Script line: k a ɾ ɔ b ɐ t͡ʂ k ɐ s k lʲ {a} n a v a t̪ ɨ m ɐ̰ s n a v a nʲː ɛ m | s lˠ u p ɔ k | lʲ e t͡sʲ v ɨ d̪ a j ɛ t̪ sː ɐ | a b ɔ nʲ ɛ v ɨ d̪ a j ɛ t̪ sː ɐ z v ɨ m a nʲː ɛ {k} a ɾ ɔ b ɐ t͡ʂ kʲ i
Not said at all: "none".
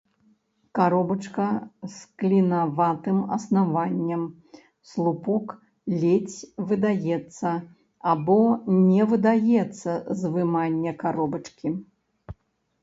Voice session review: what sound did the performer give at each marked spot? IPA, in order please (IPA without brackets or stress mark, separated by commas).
i, k